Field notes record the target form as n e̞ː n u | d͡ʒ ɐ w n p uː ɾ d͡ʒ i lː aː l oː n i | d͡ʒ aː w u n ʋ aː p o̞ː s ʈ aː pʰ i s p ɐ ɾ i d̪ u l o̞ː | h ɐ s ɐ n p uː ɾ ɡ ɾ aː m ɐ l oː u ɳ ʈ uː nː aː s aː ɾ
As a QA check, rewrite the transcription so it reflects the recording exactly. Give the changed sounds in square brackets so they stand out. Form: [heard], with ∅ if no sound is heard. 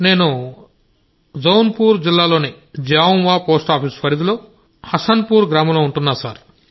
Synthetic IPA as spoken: n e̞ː n u | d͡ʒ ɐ w n p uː ɾ d͡ʒ i lː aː l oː n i | d͡ʒ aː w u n ʋ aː p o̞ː s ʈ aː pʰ i s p ɐ ɾ i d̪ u l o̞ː | h ɐ s ɐ n p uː ɾ ɡ ɾ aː m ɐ l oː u ɳ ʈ [u] nː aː s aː ɾ